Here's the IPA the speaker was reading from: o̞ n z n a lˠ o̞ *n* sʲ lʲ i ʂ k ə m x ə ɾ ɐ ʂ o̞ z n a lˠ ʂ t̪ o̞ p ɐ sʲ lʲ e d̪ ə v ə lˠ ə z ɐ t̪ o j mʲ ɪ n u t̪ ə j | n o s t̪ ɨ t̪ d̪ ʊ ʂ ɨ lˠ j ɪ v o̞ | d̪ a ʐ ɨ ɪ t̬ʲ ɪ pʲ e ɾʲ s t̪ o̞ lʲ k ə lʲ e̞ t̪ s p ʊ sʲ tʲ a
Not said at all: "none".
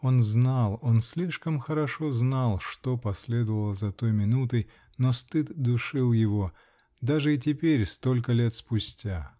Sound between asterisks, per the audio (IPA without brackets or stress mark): n